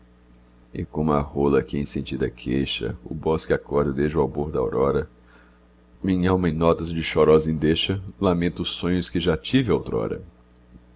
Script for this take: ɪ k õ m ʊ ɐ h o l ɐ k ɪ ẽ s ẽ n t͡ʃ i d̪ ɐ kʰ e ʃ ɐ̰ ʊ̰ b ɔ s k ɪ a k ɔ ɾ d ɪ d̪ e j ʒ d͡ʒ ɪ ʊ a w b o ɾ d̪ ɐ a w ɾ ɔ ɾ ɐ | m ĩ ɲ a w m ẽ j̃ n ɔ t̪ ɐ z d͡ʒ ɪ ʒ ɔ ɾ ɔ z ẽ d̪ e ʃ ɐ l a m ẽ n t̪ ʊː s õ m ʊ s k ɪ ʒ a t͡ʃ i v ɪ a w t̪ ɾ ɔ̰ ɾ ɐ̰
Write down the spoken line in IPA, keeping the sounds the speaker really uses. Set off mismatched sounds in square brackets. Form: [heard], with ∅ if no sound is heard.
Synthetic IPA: ɪ k õ m ʊ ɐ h o l ɐ k ɪ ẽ s ẽ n t͡ʃ i d̪ ɐ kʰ e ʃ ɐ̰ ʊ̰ b ɔ s k ɪ a k ɔ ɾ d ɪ d̪ e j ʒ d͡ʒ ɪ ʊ a w b o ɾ d̪ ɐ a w ɾ ɔ ɾ ɐ | m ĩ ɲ a w m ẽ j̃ n ɔ t̪ ɐ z d͡ʒ ɪ [ʃ] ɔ ɾ ɔ z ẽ d̪ e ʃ ɐ l a m ẽ n t̪ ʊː s õ [ɲ] ʊ s k ɪ ʒ a t͡ʃ i v ɪ a w t̪ ɾ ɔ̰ ɾ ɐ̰